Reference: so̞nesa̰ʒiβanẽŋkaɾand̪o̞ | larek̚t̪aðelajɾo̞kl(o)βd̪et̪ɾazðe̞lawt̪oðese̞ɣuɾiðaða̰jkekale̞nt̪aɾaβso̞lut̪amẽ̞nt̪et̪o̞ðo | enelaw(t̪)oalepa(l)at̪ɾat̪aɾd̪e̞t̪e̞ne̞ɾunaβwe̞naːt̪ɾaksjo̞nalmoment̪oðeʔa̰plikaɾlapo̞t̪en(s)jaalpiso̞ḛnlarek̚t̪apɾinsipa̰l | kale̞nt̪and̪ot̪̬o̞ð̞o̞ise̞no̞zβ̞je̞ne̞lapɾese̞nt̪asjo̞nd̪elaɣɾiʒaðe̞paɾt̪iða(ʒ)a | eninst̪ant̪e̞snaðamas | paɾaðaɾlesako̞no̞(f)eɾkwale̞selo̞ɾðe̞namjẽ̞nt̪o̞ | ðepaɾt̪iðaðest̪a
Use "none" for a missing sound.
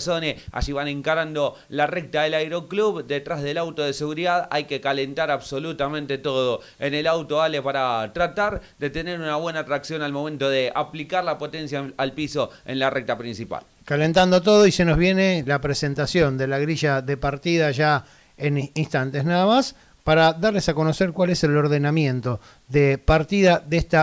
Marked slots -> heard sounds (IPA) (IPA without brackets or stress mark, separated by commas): u, t̪, ɾ, s, ʒ, s